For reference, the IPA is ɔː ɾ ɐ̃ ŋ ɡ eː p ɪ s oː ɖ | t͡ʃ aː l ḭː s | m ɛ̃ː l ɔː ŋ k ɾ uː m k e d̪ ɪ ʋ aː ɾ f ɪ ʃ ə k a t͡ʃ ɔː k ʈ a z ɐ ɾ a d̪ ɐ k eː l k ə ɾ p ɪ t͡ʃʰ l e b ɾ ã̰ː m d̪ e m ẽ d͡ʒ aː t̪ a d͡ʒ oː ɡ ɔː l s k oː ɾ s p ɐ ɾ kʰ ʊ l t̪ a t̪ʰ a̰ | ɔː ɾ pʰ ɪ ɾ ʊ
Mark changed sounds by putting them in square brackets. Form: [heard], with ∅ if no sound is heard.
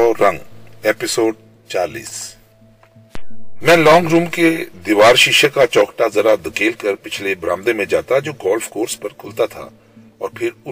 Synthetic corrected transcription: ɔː ɾ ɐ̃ ŋ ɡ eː p ɪ s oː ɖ | t͡ʃ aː l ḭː s | m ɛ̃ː l ɔː ŋ [ɡ] ɾ uː m k e d̪ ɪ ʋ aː ɾ [ʃ] ɪ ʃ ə k a t͡ʃ ɔː k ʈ a z ɐ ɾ a d̪ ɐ k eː l k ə ɾ p ɪ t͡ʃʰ l e b ɾ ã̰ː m d̪ e m ẽ d͡ʒ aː t̪ a d͡ʒ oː ɡ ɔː l [f] k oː ɾ s p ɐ ɾ kʰ ʊ l t̪ a t̪ʰ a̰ | ɔː ɾ pʰ ɪ ɾ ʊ